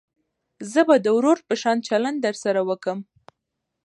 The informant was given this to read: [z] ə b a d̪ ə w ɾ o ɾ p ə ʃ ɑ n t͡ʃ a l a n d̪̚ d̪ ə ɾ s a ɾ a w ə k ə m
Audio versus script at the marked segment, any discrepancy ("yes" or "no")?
no